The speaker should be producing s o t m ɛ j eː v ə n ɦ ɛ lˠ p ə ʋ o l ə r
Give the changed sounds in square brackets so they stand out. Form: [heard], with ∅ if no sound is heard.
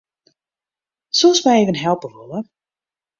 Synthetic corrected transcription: s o [s] m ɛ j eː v ə n ɦ ɛ lˠ p ə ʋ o l ə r

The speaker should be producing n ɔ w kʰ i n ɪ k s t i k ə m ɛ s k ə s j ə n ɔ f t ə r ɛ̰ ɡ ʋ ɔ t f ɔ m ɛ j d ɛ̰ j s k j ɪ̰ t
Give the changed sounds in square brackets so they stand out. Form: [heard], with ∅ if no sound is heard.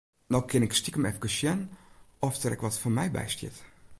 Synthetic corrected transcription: n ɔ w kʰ [ɪ] n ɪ k s t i k ə m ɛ [f] k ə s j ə n ɔ f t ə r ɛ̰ [k] ʋ ɔ t f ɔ m ɛ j [b] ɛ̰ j s [t] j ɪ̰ t

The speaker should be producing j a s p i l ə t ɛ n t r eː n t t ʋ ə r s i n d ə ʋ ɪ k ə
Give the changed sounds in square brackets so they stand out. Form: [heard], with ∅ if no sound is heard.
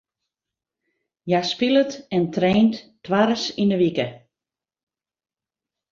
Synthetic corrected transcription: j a s p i l ə t ɛ n t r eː n t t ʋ [a] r s i n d ə ʋ [i] k ə

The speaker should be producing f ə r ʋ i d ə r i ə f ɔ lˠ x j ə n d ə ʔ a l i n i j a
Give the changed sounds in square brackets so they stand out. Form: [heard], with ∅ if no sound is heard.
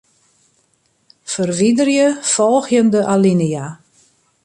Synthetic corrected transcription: f ə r ʋ i d ə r [j] ə f ɔ lˠ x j ə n d ə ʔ a l i n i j a

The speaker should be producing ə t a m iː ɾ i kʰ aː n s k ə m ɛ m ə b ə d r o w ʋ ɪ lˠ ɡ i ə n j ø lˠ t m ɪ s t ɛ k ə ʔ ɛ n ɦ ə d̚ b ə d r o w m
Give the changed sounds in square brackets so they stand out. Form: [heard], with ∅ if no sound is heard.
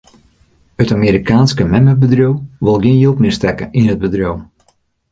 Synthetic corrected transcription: ə t a m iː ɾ i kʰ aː n s k ə m ɛ m ə b ə d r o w ʋ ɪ lˠ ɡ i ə n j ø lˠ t m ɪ s t ɛ k ə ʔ [i] n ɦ ə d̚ b ə d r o w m

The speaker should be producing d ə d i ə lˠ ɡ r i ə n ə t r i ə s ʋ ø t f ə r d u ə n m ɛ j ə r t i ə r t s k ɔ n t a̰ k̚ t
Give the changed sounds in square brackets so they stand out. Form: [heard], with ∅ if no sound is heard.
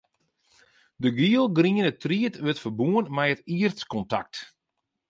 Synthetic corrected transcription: d ə [ɡ] i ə lˠ ɡ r i ə n ə t r i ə [t] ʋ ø t f ə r [b] u ə n m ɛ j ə [∅] t i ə r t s k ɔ n t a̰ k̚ t

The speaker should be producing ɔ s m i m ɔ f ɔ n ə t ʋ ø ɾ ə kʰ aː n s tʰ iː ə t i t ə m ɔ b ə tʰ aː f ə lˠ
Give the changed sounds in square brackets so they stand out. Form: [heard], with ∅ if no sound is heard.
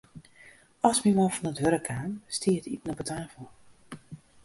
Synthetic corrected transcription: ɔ s m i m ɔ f ɔ n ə t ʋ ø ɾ ə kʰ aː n s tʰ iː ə t i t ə [n] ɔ b ə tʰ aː f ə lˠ

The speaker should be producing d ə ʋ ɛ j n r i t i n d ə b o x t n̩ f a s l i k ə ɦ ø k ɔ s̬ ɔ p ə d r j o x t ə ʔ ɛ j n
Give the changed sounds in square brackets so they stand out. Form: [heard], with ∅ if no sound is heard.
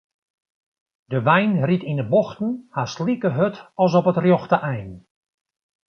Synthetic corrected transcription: d ə ʋ ɛ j n r i t i n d ə b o x t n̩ [h] a s l i k ə ɦ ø [t] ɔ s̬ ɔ p ə [t] r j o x t ə ʔ ɛ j n

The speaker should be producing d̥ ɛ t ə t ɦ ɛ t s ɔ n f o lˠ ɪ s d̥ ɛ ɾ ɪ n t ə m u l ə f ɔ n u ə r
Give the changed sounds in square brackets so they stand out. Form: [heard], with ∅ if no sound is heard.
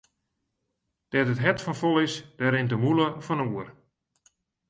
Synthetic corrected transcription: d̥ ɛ t ə t ɦ ɛ t [f] ɔ n f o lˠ ɪ s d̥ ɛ ɾ ɪ n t ə m u l ə f ɔ n u ə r

